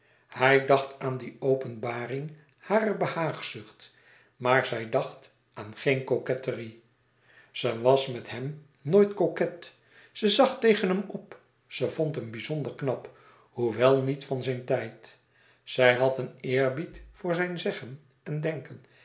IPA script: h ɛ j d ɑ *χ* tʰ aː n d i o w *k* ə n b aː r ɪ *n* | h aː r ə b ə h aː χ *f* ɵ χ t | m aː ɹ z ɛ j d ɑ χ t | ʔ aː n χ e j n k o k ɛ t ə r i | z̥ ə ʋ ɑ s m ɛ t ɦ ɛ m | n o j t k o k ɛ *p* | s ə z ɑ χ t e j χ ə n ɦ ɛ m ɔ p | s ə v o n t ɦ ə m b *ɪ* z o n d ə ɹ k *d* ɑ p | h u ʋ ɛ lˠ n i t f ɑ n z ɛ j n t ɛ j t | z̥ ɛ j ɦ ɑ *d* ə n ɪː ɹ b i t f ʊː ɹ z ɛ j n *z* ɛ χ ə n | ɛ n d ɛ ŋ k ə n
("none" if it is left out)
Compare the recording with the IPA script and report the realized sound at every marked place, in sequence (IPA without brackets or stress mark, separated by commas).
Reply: χ, p, ŋ, s, t, i, n, t, z